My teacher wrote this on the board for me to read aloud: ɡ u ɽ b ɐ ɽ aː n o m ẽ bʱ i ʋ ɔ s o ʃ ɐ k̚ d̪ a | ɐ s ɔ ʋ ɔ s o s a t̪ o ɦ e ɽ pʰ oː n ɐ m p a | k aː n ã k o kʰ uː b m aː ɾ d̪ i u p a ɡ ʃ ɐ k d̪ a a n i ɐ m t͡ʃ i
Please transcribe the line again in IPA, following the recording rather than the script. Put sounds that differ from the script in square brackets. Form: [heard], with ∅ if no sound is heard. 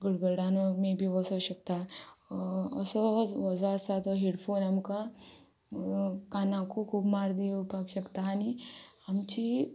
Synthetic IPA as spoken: ɡ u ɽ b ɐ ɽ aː n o m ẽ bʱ i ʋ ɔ s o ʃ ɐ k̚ [t̪] a | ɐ s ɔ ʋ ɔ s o s a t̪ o ɦ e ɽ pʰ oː n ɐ m [k] a | k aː n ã k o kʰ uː b m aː ɾ d̪ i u p a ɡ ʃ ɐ k [t̪] a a n i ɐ m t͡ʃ i